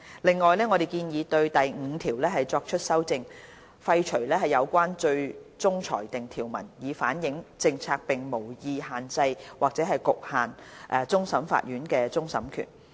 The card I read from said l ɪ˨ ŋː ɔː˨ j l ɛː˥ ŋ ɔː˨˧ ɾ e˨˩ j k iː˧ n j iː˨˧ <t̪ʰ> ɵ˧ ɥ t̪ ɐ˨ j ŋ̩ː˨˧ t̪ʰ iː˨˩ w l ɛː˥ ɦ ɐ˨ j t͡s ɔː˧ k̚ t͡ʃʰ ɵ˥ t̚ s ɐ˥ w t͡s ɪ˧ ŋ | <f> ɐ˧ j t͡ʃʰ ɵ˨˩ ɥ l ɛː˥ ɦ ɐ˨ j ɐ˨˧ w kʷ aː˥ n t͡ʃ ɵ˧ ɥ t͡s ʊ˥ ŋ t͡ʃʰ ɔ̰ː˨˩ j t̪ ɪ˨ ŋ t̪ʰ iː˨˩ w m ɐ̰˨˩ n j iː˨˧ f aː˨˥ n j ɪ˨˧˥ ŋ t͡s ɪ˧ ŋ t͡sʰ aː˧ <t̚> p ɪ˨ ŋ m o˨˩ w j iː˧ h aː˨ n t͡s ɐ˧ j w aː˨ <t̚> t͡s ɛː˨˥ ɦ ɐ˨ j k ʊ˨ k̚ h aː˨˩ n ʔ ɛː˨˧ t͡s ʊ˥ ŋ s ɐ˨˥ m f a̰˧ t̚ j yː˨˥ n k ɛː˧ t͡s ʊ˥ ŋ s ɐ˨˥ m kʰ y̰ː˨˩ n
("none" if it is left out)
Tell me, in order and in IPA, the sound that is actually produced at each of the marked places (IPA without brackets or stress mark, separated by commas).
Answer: t̪, f, k̚, k̚